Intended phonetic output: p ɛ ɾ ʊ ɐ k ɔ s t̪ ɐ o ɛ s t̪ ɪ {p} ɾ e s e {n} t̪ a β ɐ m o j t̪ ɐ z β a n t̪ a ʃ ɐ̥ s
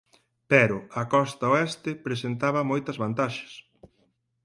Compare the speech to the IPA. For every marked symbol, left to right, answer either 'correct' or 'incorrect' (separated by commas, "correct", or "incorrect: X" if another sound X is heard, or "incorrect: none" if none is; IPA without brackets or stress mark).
correct, correct